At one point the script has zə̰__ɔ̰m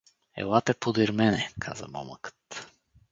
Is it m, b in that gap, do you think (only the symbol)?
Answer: m